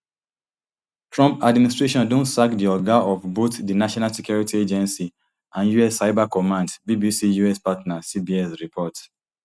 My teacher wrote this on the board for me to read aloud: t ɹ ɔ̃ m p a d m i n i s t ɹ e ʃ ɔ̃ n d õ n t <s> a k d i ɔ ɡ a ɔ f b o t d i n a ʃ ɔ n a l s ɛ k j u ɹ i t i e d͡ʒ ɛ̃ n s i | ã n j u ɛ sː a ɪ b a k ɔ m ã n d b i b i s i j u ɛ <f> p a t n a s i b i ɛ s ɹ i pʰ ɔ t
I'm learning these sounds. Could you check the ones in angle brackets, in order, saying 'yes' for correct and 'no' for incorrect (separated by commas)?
yes, no